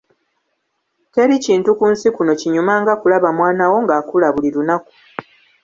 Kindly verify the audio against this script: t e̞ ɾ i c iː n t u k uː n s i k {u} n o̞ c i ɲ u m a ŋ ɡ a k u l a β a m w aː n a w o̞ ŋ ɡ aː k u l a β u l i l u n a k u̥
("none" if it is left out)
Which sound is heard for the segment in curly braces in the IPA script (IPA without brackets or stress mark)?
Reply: u